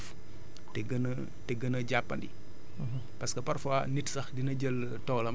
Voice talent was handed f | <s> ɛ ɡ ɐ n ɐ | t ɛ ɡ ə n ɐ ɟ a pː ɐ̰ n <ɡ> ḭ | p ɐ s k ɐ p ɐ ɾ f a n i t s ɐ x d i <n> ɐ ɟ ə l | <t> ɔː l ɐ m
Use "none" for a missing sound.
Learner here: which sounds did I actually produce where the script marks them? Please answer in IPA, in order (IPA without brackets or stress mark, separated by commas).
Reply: t, d, n, t